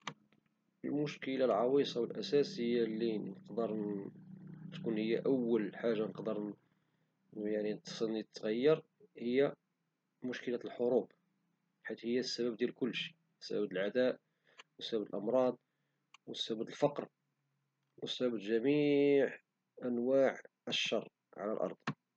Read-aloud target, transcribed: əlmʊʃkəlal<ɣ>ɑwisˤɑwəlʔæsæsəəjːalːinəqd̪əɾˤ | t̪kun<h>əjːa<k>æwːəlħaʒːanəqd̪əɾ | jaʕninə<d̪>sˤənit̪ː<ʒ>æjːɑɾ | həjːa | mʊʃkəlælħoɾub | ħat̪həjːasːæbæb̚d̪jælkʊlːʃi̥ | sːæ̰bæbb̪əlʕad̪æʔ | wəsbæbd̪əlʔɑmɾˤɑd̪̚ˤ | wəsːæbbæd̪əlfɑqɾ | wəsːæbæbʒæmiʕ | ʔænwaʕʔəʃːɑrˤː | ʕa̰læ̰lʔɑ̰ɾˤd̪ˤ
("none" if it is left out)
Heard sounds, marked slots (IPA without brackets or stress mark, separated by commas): ʕ, h, ʔ, t̪, ɣ